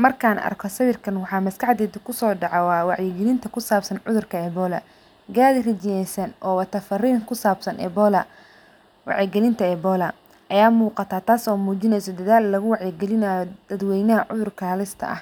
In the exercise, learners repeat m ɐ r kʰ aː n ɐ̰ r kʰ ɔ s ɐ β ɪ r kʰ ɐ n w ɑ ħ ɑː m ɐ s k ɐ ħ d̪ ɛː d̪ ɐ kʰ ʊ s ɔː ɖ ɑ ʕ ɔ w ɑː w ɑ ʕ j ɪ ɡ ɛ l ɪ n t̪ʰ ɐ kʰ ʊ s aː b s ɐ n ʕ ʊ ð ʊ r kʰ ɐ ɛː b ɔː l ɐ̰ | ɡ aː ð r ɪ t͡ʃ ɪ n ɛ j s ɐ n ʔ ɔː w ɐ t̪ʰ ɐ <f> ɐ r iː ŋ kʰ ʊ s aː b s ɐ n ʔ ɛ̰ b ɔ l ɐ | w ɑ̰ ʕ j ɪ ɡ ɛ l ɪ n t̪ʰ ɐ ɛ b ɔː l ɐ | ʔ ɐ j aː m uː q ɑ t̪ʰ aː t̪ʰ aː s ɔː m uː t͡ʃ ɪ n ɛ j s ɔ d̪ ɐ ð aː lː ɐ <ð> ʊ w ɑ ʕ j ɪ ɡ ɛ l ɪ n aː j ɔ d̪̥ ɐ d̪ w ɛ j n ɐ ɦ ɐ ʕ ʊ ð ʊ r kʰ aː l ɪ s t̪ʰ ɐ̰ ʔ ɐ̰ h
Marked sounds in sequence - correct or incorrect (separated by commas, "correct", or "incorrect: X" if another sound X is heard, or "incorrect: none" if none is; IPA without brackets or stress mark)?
correct, incorrect: ɣ